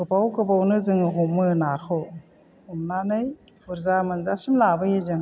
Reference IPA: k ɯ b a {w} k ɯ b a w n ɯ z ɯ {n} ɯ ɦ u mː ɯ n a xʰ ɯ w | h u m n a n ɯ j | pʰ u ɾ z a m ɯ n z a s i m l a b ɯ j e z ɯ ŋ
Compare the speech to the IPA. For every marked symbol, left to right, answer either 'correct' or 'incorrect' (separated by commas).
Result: correct, incorrect